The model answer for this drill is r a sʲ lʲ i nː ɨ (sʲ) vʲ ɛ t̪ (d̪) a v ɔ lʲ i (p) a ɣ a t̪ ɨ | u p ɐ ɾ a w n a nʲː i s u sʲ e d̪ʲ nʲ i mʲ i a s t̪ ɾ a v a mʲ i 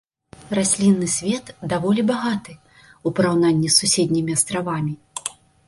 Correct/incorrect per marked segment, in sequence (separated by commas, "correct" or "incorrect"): correct, correct, incorrect